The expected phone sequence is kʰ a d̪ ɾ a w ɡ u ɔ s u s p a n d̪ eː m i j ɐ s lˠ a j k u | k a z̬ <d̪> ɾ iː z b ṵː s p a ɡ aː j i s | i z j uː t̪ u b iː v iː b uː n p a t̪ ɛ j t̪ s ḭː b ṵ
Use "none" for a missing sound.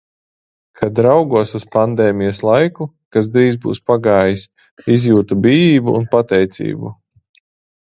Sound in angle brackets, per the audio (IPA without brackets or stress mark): d̪